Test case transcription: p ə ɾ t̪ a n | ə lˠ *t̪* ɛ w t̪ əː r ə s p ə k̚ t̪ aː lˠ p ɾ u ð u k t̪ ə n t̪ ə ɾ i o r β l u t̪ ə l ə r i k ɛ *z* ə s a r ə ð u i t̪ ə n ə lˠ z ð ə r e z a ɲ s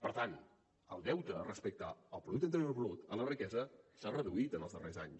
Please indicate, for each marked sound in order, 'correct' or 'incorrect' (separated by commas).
incorrect, correct